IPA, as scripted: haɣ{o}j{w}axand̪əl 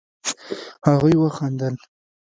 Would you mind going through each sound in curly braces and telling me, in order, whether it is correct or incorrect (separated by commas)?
incorrect, correct